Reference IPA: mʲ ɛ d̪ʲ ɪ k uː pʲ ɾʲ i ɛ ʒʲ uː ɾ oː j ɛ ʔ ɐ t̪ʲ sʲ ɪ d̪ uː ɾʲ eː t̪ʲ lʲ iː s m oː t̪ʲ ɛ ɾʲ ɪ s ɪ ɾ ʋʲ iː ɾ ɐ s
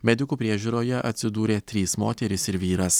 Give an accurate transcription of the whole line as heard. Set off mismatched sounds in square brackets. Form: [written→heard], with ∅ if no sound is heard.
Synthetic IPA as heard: mʲ ɛ d̪ʲ ɪ k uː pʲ ɾʲ i ɛ ʒʲ uː ɾ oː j ɛ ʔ ɐ t̪ʲ sʲ ɪ d̪ uː ɾʲ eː t̪ʲ [lʲ→ɾʲ] iː s m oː t̪ʲ ɛ ɾʲ ɪ s ɪ ɾ ʋʲ iː ɾ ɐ s